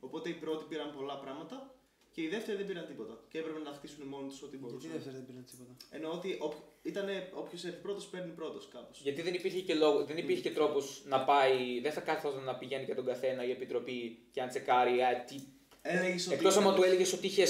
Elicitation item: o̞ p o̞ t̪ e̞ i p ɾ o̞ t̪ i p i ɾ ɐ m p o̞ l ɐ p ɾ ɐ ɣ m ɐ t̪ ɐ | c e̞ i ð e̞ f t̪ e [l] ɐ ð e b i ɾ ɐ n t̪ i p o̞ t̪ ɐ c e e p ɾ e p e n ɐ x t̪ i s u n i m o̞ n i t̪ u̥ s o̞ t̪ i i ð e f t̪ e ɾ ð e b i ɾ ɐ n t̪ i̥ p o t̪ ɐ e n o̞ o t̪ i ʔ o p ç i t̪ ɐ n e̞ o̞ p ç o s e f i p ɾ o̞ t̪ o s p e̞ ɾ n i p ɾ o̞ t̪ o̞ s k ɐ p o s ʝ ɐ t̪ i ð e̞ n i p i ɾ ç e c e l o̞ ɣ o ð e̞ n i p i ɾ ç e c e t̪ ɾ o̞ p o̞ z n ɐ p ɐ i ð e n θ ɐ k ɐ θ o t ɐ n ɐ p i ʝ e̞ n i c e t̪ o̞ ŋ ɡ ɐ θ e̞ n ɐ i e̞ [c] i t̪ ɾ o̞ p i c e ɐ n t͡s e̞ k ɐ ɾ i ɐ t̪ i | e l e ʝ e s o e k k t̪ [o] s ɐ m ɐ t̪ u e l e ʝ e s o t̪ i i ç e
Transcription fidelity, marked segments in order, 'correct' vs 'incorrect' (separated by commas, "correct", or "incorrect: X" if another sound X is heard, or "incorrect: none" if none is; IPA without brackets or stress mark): incorrect: ɾ, incorrect: p, correct